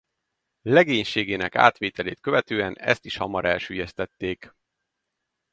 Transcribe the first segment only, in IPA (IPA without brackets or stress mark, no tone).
l